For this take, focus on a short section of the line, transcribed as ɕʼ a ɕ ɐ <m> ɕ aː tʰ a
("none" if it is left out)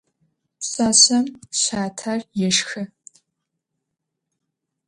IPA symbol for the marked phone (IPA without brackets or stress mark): m